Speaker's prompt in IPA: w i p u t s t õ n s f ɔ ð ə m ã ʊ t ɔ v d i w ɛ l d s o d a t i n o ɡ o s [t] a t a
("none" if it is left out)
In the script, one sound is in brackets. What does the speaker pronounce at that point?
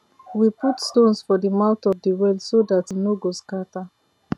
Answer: k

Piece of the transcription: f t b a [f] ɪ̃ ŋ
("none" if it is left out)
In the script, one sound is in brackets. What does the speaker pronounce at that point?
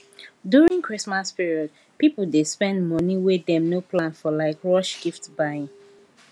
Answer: none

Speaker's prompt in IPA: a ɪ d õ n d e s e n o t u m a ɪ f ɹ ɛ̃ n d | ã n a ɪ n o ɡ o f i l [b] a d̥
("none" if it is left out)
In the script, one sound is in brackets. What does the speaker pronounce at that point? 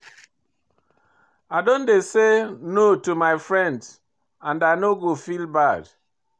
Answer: b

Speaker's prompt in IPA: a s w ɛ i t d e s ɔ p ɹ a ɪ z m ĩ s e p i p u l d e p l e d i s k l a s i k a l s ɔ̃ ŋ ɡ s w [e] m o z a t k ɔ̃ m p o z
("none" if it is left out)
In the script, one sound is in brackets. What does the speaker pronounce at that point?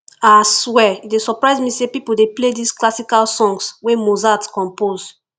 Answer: e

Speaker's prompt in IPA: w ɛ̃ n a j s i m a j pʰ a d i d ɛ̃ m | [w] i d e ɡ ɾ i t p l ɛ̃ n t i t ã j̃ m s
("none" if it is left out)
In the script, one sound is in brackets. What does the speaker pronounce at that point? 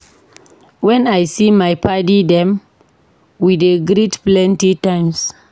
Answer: w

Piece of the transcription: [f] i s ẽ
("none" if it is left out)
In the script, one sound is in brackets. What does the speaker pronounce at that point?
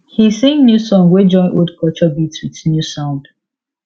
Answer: h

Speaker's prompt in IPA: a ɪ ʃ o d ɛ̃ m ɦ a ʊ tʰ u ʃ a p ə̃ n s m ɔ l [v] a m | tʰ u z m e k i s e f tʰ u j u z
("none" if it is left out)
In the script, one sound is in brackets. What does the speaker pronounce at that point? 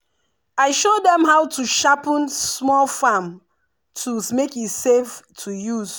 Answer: f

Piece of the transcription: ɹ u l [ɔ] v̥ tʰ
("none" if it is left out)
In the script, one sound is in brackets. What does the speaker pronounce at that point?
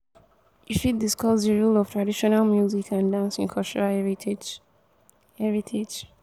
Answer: ɔ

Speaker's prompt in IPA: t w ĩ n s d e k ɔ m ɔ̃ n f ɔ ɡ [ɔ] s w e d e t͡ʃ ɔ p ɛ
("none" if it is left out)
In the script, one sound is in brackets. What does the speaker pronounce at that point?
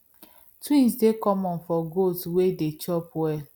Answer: o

